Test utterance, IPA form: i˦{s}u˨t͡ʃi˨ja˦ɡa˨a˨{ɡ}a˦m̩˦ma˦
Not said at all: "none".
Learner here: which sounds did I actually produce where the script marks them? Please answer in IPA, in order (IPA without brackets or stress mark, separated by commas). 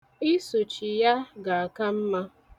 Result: s, k